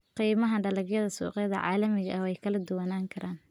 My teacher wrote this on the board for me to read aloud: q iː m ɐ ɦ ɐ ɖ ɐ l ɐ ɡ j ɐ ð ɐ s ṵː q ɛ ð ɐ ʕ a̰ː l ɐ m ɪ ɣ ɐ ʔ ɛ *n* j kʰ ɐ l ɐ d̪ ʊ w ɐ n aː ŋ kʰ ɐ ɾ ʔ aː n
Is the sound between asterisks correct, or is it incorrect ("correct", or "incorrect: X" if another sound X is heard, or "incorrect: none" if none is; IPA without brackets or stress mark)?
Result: incorrect: none